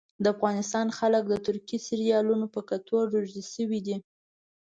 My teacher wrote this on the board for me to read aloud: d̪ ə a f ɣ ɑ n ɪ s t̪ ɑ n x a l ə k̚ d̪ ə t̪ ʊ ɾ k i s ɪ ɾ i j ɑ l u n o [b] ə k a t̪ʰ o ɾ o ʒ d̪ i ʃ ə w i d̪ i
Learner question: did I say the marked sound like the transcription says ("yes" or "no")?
no